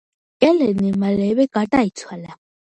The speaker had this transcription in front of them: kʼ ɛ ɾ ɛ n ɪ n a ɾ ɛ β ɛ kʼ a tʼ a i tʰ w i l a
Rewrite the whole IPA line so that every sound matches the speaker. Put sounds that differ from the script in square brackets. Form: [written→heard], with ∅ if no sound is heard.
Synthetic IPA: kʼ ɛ [ɾ→l] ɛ n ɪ [n→m] a [ɾ→l] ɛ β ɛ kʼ a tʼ a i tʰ w [i→a] l a